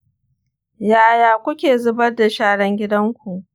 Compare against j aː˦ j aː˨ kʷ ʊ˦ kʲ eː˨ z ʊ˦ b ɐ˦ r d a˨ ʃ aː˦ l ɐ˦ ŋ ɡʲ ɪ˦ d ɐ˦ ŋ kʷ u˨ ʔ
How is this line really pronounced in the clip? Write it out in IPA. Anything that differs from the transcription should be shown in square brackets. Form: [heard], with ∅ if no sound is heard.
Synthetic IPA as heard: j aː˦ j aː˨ kʷ ʊ˦ kʲ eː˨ z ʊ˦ b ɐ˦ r d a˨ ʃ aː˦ [ɽ] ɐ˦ ŋ ɡʲ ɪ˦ d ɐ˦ ŋ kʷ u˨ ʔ